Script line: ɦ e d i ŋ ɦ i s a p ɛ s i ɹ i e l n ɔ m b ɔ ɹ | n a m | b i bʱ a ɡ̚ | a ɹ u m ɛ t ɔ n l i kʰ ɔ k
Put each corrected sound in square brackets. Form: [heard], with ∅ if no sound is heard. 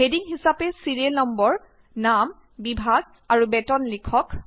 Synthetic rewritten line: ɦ e d i ŋ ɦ i s a p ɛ s i ɹ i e l n ɔ m b ɔ ɹ | n a m | b i bʱ a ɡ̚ | a ɹ u [b] ɛ t ɔ n l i kʰ ɔ k

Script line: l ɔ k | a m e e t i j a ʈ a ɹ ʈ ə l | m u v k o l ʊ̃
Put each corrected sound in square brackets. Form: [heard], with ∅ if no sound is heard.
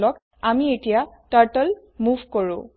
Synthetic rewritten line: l ɔ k | a m [i] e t i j a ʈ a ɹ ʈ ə l | m u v k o [ɹ] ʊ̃

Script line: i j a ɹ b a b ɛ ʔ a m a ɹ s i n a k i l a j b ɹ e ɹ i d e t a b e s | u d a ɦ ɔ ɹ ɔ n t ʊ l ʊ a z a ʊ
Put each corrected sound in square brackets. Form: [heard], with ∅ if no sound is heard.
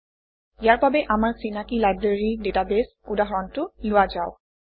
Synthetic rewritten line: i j a ɹ b a b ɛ ʔ a m a ɹ s i n a k i l a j b ɹ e ɹ i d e t a b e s | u d a ɦ ɔ ɹ ɔ n t ʊ l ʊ a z a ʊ

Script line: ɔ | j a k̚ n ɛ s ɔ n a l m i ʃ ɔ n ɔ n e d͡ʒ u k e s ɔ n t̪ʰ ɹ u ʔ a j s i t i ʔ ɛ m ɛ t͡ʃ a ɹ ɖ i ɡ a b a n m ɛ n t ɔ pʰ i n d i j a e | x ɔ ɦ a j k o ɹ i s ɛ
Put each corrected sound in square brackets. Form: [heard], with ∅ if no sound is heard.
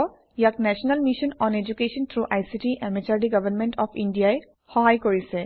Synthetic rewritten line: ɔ | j a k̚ n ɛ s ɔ n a l m i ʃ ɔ n ɔ n e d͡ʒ u k e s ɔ n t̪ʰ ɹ u ʔ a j s i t i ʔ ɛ m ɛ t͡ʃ a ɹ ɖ i ɡ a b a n m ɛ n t ɔ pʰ i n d i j a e | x ɔ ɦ a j k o ɹ i s ɛ

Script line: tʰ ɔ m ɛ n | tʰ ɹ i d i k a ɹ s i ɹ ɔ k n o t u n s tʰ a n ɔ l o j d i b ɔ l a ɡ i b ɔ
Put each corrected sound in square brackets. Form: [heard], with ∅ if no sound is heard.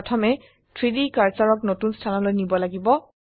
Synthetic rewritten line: tʰ ɔ m ɛ [∅] | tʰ ɹ i d i k a ɹ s [a] ɹ ɔ k n o t u n s tʰ a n ɔ l o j [n] i b ɔ l a ɡ i b ɔ

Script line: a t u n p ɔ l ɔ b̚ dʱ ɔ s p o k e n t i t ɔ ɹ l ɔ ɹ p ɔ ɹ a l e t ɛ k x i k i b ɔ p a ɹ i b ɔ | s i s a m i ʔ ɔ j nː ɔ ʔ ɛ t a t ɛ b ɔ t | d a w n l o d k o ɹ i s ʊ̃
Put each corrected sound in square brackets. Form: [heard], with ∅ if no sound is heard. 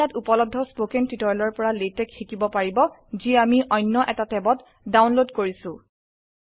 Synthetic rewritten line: a t u [∅] p ɔ l ɔ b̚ dʱ ɔ s p o k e n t i t ɔ ɹ l ɔ ɹ p ɔ ɹ a l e t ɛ k x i k i b ɔ p a ɹ i b ɔ | [z] i [∅] a m i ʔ ɔ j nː ɔ ʔ ɛ t a t ɛ b ɔ t | d a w n l o d k o ɹ i s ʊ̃

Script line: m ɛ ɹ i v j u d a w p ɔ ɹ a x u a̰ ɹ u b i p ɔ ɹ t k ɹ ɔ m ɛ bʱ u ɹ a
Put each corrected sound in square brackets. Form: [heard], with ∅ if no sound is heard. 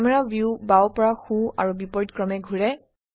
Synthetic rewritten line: m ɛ ɹ [a] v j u [b] a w p ɔ ɹ a x u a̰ ɹ u b i p ɔ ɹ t k ɹ ɔ m ɛ [ɡʱ] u ɹ [ɛ]

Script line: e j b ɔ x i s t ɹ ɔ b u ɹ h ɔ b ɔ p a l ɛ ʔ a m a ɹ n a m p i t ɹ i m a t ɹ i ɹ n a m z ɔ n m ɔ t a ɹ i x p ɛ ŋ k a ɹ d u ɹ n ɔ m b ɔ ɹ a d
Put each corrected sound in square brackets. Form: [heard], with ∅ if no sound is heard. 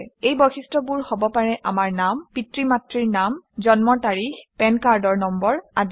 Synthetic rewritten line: e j b ɔ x i s t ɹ ɔ b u ɹ h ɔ b ɔ p a [ɹ] ɛ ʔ a m a ɹ n a m p i t ɹ i m a t ɹ i ɹ n a m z ɔ n m ɔ t a ɹ i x p ɛ [n] k a ɹ d [ɔ] ɹ n ɔ m b ɔ ɹ a d

